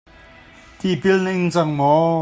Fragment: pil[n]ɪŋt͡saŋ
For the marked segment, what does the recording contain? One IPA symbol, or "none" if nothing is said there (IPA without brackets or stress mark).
n